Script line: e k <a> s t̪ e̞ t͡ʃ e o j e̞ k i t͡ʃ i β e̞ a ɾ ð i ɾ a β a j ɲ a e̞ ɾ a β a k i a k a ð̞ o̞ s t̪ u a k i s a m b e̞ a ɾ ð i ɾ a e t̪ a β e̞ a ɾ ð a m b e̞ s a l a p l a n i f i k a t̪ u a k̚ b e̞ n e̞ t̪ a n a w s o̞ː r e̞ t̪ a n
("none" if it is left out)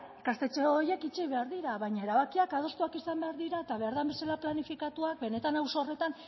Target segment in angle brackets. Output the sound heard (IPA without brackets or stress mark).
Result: a